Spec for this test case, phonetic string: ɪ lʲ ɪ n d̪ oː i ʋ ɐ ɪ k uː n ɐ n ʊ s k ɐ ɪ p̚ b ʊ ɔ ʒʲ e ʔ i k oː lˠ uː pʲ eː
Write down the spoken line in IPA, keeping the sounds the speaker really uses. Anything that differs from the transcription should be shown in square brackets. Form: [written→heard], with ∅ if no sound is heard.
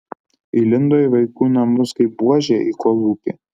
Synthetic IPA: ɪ lʲ ɪ n d̪ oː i ʋ ɐ ɪ k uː n ɐ [n→m] ʊ s k ɐ ɪ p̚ b [ʊ→u] ɔ ʒʲ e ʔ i k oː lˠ uː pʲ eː